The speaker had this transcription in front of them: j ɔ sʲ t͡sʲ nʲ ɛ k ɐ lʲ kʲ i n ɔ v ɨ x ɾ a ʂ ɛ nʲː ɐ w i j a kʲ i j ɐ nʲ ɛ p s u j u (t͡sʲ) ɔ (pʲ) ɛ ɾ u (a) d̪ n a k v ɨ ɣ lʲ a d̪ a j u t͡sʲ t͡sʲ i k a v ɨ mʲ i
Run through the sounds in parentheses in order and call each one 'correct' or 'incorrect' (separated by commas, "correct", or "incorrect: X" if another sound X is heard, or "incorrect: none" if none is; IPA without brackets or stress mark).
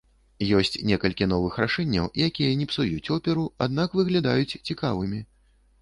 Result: correct, correct, correct